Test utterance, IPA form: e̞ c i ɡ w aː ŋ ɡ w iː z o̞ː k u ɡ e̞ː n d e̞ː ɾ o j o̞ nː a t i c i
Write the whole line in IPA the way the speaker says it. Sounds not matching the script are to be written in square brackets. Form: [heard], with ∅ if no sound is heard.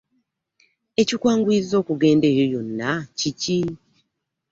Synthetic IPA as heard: e̞ c i [k] w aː ŋ ɡ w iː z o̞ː k u ɡ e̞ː n d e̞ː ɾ o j o̞ nː a [c] i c i